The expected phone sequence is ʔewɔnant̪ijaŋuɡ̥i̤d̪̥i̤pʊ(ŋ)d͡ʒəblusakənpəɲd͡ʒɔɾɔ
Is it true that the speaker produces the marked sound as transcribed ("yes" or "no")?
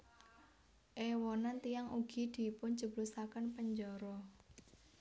no